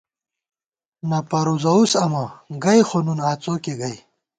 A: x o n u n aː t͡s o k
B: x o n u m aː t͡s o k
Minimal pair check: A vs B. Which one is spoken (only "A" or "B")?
A